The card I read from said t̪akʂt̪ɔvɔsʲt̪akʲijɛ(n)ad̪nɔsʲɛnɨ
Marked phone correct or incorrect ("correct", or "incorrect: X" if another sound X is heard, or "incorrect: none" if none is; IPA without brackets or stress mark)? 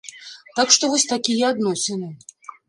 incorrect: none